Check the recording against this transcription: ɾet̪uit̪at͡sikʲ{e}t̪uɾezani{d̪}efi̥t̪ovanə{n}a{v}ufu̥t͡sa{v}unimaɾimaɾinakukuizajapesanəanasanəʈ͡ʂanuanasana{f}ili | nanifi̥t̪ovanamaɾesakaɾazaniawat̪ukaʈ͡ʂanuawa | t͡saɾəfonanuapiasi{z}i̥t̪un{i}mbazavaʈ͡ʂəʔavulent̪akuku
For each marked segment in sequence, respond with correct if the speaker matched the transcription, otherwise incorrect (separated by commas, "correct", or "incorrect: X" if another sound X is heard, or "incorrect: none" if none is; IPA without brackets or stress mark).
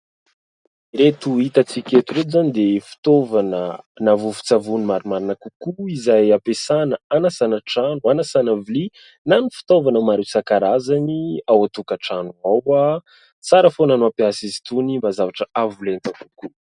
correct, correct, correct, correct, correct, incorrect: v, correct, correct